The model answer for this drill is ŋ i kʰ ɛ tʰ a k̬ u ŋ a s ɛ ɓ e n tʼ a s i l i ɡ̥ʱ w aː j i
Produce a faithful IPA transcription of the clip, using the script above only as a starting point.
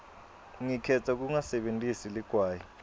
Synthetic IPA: ŋ i kʰ ɛ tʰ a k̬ u ŋ a s ɛ ɓ e n tʼ i s i l i ɡ̥ʱ w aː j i